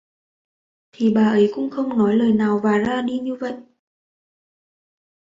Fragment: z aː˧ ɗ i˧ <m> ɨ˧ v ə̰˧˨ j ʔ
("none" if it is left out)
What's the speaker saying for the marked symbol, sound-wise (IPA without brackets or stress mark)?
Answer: ɲ